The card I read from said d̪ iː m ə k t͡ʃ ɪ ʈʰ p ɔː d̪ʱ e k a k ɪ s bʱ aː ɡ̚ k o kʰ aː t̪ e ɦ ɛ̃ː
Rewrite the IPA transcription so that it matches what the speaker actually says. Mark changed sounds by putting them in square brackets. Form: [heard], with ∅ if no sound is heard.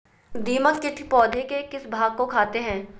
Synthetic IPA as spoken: d̪ iː m ə k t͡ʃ ɪ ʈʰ p ɔː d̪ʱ e k [e] k ɪ s bʱ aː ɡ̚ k o kʰ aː t̪ e ɦ ɛ̃ː